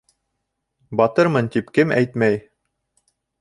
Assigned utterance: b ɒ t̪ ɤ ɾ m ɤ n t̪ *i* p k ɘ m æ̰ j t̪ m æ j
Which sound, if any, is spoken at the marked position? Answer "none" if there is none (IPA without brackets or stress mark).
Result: i